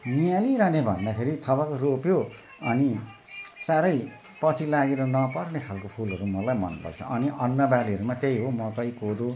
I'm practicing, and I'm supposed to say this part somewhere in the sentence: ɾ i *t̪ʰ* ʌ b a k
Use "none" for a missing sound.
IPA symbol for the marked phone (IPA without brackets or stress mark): t̪ʰ